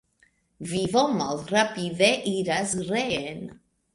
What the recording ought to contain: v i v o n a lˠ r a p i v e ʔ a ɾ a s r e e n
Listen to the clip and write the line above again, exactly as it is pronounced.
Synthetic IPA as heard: v i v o m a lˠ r a p i ð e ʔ i ɾ a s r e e n